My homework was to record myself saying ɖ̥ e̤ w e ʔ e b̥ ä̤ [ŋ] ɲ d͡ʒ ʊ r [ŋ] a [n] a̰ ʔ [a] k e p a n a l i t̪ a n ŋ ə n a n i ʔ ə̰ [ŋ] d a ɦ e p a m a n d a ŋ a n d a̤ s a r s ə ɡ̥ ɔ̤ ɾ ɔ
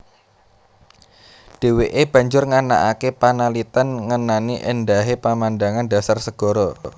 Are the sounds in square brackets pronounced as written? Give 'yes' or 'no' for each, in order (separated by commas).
no, yes, yes, yes, no